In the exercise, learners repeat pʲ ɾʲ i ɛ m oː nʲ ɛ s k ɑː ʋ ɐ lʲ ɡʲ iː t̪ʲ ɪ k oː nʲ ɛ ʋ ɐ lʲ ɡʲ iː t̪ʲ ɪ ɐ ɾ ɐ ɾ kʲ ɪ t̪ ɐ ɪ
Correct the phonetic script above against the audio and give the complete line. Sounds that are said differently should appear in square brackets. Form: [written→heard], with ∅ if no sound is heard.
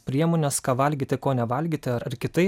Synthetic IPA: pʲ ɾʲ i ɛ m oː nʲ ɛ s k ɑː ʋ ɐ lʲ ɡʲ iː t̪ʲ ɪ k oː nʲ ɛ ʋ ɐ lʲ ɡʲ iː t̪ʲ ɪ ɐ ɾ ɐ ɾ kʲ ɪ t̪ ɐ ɪ